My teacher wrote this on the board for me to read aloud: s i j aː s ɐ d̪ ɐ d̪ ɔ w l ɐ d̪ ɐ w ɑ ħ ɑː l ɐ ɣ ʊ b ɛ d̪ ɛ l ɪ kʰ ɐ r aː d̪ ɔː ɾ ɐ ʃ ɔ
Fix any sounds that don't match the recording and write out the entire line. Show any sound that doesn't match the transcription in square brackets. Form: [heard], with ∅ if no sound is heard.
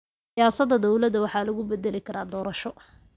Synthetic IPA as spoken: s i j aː s ɐ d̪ ɐ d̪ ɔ w l ɐ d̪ ɐ w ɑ ħ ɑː l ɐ ɣ ʊ b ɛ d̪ ɛ l ɪ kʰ ɐ [ɾ] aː d̪ ɔː ɾ ɐ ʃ ɔ